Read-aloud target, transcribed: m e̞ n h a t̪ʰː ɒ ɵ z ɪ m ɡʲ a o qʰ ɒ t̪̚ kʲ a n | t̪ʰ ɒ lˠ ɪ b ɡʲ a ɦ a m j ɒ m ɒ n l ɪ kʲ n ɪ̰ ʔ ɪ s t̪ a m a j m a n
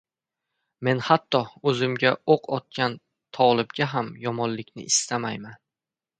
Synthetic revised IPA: m e̞ n h a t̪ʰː ɒ ɵ z ɪ m ɡʲ a o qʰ ɒ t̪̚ kʲ a n | t̪ʰ ɒ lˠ ɪ b ɡʲ a ɦ a m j ɒ m ɒ n l ɪ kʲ n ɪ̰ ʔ ɪ s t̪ a m a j m a n